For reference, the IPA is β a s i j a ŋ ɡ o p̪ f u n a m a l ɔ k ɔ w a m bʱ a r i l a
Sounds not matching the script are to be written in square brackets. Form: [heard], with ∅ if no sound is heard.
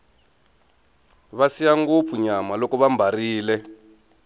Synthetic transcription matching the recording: β a s i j a ŋ ɡ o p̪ f u [ɲ] a m a l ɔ k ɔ [β] a m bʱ a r [iː] l [ɛ]